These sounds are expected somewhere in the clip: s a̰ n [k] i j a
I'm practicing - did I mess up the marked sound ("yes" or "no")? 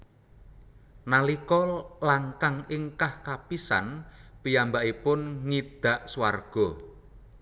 yes